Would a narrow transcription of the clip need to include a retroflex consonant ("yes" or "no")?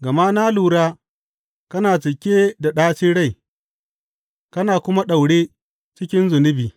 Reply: yes